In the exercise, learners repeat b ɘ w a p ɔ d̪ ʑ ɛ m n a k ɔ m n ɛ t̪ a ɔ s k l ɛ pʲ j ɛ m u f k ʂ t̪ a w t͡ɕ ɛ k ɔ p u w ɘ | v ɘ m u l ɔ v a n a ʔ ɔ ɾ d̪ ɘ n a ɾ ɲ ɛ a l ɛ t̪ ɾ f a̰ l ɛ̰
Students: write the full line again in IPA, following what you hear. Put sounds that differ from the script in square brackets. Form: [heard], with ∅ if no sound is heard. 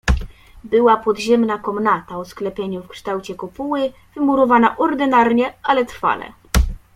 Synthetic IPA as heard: b ɘ w a p ɔ d̪ ʑ ɛ m n a k ɔ m n [a] t̪ a ɔ s k l ɛ pʲ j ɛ [ɲ] u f k ʂ t̪ a w t͡ɕ ɛ k ɔ p u w ɘ | v ɘ m u [ɾ] ɔ v a n a ʔ ɔ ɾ d̪ ɘ n a ɾ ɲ ɛ a l ɛ t̪ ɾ f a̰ l ɛ̰